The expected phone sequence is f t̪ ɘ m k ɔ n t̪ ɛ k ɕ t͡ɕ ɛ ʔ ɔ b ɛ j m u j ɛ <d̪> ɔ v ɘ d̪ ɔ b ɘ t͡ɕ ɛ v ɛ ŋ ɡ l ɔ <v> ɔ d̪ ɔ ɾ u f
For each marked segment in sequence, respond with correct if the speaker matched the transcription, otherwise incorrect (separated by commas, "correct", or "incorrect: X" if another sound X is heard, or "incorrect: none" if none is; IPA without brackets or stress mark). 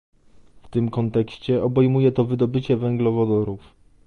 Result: incorrect: t̪, correct